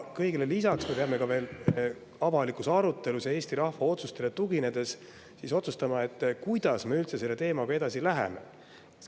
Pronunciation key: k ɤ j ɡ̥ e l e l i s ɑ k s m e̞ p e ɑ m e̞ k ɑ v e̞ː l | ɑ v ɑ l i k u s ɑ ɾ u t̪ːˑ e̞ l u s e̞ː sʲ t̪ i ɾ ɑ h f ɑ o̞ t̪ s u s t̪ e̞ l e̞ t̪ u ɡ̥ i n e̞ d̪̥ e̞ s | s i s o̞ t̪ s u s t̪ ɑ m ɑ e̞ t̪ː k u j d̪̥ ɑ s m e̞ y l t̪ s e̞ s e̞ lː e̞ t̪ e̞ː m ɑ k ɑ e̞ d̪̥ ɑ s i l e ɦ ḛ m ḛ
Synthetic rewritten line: k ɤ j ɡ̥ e l e l i s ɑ k s m e̞ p e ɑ m e̞ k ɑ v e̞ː l | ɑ v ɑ l i k u s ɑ ɾ u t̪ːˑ e̞ l u s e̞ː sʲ t̪ i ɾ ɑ h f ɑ o̞ t̪ s u s t̪ e̞ l e̞ t̪ u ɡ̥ i n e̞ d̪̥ e̞ s | s i s o̞ t̪ s u s t̪ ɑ m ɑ e̞ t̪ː k u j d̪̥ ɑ s m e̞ y l t̪ s e̞ s e̞ lː e̞ t̪ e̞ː m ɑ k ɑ e̞ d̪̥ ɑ s i l æ ɦ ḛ m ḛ

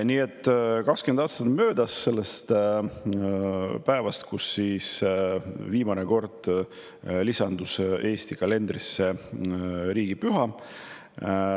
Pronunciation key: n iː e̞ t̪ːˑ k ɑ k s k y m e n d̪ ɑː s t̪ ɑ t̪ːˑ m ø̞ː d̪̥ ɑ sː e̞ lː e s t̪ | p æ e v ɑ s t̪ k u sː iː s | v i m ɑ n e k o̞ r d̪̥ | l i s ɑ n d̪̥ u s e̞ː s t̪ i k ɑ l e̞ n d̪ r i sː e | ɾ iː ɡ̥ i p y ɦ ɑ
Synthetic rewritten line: n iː e̞ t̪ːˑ k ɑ k s k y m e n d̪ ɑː s t̪ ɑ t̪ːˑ m ø̞ː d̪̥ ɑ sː e̞ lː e s t̪ | p æ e v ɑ s t̪ k u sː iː s | v iː m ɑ n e k o̞ r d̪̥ | l i s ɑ n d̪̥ u s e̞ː s t̪ i k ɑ l e̞ n d̪ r i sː e | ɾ iː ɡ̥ i p y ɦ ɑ

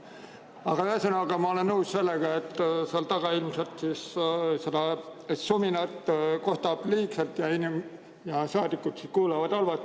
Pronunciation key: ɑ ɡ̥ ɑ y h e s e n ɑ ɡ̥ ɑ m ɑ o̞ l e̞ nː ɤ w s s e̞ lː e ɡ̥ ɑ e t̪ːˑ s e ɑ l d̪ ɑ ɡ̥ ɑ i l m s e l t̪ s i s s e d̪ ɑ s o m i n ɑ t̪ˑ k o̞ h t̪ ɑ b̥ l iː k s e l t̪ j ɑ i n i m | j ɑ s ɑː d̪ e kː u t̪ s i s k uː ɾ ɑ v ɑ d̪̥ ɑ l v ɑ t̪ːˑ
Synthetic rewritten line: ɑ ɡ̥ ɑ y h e s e n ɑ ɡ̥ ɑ m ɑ o̞ l e̞ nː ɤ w s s e̞ lː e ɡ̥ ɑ e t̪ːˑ s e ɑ l t̪ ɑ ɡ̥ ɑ i l m s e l t̪ s i s s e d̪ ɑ s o m i n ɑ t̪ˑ k o̞ h t̪ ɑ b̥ l iː k s e l t̪ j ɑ i n i m | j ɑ s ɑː d̪ i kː u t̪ s i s k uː l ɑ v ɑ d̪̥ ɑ l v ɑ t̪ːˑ

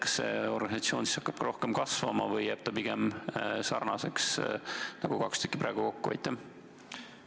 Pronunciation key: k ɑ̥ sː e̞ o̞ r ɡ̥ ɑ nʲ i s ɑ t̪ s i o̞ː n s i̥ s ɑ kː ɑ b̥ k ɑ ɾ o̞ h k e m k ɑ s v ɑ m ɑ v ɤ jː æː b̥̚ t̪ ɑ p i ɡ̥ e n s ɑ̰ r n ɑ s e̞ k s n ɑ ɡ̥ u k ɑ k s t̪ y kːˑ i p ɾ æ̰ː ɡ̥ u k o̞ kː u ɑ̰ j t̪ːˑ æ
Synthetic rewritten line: k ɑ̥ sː e̞ o̞ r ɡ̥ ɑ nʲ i s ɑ t̪ s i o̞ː n s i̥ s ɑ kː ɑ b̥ k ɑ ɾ o̞ h k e m k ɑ s v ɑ m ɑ v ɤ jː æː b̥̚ t̪ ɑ p i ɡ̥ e m s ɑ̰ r n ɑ s e̞ k s n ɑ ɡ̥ u k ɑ k s t̪ y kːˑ i p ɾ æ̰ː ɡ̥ u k o̞ kː u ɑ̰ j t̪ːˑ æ

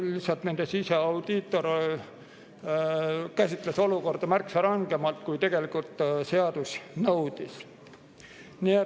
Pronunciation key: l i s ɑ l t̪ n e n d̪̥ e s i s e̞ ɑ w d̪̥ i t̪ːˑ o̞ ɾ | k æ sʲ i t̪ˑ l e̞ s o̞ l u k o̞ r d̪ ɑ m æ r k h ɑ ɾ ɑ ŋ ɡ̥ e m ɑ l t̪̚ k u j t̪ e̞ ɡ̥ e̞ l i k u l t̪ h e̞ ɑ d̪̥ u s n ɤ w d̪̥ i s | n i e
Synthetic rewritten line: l i s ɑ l t̪ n e n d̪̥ e s i s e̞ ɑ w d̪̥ i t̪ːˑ o̞ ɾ | k æ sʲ i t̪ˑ l e̞ s o̞ l u k o̞ r d̪ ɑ m æ r k s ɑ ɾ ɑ ŋ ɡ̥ e m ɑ l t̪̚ k u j t̪ e̞ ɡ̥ e̞ l i k u l t̪ s e̞ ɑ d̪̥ u s n ɤ w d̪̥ i s | n i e

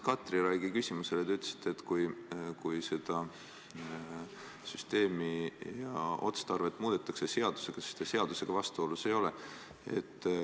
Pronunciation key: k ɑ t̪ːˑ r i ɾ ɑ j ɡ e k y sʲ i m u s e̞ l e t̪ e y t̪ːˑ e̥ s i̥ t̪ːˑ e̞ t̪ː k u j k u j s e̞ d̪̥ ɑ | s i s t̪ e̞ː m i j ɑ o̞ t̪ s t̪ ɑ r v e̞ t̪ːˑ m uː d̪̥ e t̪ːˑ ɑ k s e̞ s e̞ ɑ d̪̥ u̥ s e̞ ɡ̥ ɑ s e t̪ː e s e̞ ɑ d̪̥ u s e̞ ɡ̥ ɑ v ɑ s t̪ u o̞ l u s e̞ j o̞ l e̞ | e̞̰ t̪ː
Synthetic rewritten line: k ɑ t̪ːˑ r i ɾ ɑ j ɡ i k y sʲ i m u s e̞ l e t̪ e y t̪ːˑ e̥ s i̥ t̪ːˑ e̞ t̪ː k u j k u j s e̞ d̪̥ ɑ | s y s t̪ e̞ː m i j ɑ o̞ t̪ s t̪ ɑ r v e̞ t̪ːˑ m uː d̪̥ e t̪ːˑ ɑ k s e̞ s e̞ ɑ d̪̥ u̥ s e̞ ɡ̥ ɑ s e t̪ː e s e̞ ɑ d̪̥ u s e̞ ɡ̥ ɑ v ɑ s t̪ u o̞ l u s e̞ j o̞ l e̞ | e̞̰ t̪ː

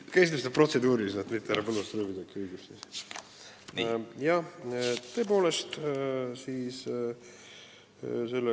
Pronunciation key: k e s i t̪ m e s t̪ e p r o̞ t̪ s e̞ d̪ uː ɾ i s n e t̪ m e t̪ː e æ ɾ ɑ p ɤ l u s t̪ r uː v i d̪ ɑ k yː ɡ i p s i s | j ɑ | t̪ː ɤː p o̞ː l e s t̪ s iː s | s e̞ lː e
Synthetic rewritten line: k e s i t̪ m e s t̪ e p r o̞ t̪ s e̞ d̪ uː ɾ i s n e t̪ m i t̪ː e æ ɾ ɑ p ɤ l u s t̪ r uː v i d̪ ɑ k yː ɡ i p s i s | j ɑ | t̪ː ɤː p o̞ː l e s t̪ s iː s | s e̞ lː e

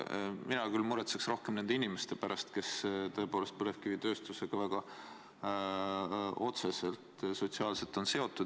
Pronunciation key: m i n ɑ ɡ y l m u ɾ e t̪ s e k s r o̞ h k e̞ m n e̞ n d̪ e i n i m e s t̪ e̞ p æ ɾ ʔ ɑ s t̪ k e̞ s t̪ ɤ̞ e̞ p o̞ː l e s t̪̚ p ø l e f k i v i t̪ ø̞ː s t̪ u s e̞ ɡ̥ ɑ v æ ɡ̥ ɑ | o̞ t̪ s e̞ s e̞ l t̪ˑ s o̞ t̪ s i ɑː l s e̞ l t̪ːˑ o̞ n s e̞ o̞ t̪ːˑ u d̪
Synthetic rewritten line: m i n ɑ k y l m u ɾ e t̪ s e k s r o̞ h k e̞ m n e̞ n d̪ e i n i m e s t̪ e̞ p æ ɾ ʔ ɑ s t̪ k e̞ s t̪ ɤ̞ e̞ p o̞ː l e s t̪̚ p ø l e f k i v i t̪ ø̞ː s t̪ u s e̞ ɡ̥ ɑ v æ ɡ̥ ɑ | o̞ t̪ s e̞ s e̞ l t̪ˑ s o̞ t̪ s i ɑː l s e̞ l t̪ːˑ o̞ n s e̞ o̞ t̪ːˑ u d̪

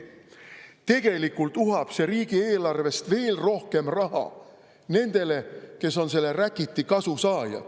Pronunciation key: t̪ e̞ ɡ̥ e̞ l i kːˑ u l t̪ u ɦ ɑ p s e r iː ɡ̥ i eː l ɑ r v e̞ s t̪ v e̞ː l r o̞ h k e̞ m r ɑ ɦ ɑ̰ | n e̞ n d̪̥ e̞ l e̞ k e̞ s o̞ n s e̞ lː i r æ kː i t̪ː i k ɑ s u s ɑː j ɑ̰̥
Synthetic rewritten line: t̪ e̞ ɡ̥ e̞ l i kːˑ u l t̪ u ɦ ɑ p s e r iː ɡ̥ i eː l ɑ r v e̞ s t̪ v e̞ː l r o̞ h k e̞ m r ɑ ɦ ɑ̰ | n e̞ n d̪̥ e̞ l e̞ k e̞ s o̞ n s e̞ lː e r æ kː i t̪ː i k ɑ s u s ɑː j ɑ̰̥

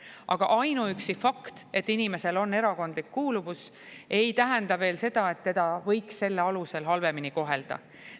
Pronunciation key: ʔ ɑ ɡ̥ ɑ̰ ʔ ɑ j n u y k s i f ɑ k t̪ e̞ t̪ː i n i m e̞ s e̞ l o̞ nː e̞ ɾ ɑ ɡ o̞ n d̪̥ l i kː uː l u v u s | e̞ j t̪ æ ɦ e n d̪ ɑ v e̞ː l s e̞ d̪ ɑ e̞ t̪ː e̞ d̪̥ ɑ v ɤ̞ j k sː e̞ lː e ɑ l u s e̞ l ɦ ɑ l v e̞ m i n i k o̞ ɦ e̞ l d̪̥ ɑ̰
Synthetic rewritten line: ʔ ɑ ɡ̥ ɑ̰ ʔ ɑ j n u y k s i f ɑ k t̪ e̞ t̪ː i n i m e̞ s e̞ l o̞ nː e̞ ɾ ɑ k o̞ n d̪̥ l i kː uː l u v u s | e̞ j t̪ æ ɦ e n d̪ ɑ v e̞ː l s e̞ d̪ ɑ e̞ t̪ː e̞ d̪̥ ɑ v ɤ̞ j k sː e̞ lː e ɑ l u s e̞ l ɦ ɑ l v e̞ m i n i k o̞ ɦ e̞ l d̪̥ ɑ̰

